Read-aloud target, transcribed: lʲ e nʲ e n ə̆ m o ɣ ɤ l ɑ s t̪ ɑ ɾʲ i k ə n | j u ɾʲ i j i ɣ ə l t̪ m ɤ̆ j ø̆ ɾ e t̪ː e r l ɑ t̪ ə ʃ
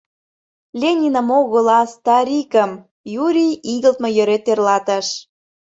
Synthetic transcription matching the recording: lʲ e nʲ i n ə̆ m o ɣ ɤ l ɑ s t̪ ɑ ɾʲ i k ə m | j u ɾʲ i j i ɣ ə l t̪ m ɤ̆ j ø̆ ɾ e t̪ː e r l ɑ t̪ ə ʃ

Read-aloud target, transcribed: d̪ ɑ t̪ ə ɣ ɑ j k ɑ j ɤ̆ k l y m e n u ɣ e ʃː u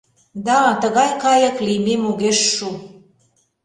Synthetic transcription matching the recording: d̪ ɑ t̪ ə ɣ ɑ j k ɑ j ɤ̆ k l i m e m u ɣ e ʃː u

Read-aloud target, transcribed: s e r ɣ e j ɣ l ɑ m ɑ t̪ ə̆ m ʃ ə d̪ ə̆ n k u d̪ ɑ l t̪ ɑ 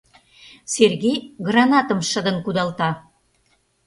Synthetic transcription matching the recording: s e r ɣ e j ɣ r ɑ n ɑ t̪ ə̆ m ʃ ə d̪ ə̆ n k u d̪ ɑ l t̪ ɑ

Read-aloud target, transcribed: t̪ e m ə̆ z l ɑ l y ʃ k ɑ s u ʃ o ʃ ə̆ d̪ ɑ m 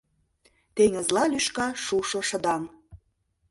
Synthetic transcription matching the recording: t̪ e ŋ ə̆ z l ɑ l y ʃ k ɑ ʃ u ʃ o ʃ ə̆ d̪ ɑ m

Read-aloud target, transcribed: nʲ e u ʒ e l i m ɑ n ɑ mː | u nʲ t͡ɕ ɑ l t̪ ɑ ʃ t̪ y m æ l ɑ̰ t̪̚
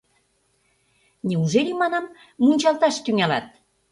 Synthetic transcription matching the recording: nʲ e u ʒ e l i m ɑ n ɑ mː | u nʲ t͡ɕ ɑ l t̪ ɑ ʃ t̪ y ŋ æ l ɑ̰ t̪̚

